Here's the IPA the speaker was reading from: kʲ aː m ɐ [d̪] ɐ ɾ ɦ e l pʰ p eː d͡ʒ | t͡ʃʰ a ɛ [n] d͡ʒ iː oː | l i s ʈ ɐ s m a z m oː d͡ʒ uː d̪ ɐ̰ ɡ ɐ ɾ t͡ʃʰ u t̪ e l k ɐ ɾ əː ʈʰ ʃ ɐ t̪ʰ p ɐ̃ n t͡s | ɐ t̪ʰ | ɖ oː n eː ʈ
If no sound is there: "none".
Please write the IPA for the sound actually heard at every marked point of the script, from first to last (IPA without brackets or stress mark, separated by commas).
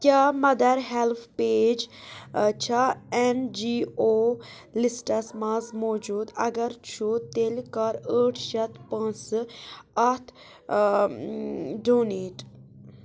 d̪, n